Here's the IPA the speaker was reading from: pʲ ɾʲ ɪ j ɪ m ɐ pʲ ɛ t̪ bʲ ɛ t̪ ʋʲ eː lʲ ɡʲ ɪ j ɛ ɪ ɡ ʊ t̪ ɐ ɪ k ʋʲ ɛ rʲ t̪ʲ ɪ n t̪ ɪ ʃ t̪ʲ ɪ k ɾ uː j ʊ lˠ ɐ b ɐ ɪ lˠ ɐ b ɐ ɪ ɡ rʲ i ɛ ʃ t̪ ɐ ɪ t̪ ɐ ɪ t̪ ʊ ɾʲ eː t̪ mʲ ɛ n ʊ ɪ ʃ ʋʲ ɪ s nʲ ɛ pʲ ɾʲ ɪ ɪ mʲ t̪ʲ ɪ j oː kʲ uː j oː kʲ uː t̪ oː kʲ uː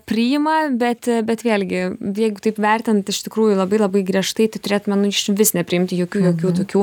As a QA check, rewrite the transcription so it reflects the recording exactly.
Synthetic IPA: pʲ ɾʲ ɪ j ɪ m ɐ bʲ ɛ t̪ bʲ ɛ t̪ ʋʲ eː lʲ ɡʲ ɪ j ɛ ɪ ɡ ʊ t̪ ɐ ɪ p ʋʲ ɛ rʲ t̪ʲ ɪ n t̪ ɪ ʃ t̪ʲ ɪ k ɾ uː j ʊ lˠ ɐ b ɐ ɪ lˠ ɐ b ɐ ɪ ɡ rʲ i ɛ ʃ t̪ ɐ ɪ t̪ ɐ ɪ t̪ ʊ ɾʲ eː t̪ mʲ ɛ n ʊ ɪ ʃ ʋʲ ɪ s nʲ ɛ pʲ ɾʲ ɪ ɪ mʲ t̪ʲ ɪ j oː kʲ uː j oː kʲ uː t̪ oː kʲ uː